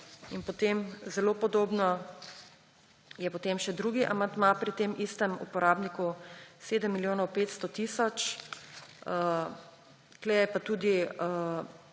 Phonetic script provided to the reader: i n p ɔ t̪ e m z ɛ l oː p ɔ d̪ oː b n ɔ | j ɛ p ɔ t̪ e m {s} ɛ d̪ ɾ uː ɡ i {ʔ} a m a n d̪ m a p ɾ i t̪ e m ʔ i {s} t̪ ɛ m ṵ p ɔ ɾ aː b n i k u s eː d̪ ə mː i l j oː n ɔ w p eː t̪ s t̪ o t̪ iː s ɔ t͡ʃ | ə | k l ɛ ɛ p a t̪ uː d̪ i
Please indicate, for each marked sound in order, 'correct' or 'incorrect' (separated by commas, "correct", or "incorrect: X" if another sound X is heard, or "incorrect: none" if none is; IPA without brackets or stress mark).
incorrect: ʃ, correct, correct